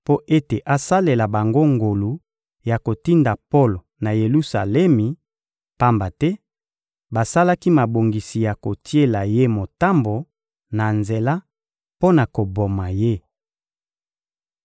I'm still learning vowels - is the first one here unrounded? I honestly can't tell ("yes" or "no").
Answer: no